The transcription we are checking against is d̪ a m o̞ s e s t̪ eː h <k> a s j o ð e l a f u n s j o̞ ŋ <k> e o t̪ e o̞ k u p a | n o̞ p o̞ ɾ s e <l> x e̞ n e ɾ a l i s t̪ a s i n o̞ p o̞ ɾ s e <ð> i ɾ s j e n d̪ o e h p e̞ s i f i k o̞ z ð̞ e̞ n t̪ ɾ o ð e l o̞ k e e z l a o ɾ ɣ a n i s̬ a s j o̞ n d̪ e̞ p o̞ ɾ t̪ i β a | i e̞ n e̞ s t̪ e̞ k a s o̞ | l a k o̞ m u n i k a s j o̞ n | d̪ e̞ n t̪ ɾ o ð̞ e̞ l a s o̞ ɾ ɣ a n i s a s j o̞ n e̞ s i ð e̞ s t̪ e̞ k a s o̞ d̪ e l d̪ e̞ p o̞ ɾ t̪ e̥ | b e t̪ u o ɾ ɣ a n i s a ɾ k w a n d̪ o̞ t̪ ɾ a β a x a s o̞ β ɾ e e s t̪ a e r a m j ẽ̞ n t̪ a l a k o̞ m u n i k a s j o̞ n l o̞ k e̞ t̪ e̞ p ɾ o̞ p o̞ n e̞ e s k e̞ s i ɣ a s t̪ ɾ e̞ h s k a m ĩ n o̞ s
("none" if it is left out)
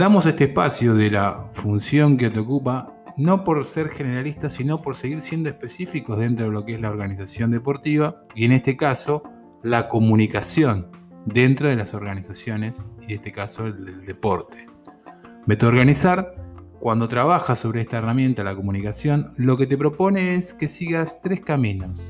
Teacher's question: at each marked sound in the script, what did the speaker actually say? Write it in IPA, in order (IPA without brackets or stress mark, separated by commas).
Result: p, k, ɾ, ɣ